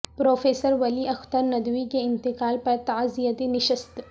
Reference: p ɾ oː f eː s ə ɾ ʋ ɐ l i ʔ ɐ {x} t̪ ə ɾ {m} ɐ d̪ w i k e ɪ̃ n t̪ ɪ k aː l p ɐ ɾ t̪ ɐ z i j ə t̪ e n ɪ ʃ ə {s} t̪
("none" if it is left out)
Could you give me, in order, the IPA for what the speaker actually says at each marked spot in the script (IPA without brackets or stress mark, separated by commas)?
x, n, s